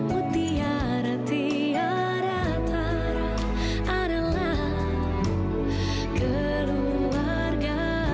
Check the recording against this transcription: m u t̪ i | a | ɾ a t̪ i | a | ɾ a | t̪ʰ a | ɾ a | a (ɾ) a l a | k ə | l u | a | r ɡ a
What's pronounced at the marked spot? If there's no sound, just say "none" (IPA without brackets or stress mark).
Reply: ɾ